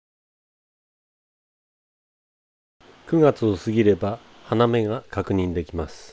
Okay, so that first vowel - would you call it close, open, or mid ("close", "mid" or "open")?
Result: close